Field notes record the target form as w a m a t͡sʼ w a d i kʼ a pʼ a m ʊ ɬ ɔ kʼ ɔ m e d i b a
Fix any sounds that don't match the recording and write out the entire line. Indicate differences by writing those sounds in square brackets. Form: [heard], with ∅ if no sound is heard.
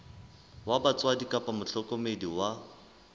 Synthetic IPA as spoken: w a [b] a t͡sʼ w a d i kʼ a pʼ a m ʊ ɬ ɔ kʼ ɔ m e d i [w] a